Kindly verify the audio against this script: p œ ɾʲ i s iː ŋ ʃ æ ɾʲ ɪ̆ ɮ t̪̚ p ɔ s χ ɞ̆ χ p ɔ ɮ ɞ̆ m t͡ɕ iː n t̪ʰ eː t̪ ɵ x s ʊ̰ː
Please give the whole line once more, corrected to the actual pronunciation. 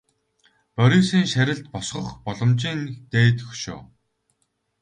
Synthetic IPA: p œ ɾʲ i s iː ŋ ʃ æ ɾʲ ɪ̆ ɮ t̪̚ p ɔ s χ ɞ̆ χ p ɔ ɮ ɞ̆ m t͡ɕ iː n t̪ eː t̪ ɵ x ʃ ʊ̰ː